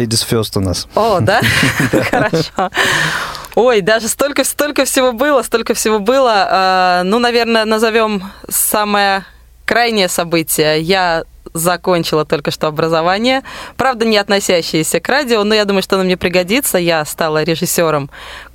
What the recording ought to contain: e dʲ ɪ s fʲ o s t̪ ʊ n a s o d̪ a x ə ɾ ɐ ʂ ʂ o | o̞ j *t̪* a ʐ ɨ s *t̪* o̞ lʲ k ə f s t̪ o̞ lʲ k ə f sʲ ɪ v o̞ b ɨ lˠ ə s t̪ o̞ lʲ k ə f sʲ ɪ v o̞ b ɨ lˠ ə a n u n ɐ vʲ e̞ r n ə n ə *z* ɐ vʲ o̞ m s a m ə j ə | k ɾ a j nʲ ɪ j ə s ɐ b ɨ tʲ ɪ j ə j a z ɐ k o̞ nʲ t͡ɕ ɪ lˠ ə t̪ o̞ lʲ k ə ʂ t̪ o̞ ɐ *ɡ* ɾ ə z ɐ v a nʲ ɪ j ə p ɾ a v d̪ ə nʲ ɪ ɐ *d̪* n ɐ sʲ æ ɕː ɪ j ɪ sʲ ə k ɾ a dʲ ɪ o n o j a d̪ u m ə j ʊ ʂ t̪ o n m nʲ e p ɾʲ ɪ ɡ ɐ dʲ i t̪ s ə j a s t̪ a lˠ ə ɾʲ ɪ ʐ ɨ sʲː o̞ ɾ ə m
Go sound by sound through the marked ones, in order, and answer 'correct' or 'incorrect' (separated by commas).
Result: incorrect, correct, correct, incorrect, incorrect